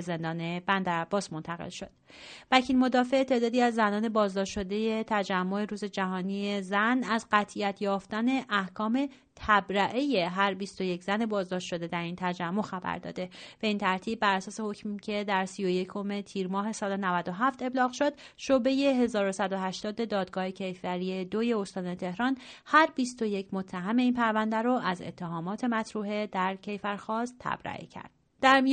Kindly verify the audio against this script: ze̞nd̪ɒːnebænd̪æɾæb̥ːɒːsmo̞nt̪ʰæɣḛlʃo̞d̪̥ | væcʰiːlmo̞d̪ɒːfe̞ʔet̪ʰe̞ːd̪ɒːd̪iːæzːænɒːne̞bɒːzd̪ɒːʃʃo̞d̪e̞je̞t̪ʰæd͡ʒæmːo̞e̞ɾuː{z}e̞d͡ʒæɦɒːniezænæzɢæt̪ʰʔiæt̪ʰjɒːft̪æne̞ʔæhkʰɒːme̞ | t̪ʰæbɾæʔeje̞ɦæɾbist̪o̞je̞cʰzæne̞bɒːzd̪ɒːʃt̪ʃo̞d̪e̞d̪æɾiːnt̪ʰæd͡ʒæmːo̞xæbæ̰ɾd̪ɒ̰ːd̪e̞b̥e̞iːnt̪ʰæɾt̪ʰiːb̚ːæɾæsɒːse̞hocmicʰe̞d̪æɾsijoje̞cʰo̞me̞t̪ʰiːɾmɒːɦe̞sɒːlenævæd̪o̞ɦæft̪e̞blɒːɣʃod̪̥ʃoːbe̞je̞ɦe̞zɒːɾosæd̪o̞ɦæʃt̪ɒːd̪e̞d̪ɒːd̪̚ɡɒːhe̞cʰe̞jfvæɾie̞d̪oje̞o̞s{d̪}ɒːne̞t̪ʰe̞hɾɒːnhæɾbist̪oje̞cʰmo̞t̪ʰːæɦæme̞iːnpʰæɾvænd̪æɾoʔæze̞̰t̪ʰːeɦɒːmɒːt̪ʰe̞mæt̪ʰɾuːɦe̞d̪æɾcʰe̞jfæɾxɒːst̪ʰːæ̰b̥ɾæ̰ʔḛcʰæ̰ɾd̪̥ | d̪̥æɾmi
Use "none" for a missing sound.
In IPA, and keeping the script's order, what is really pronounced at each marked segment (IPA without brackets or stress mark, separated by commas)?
z, t̪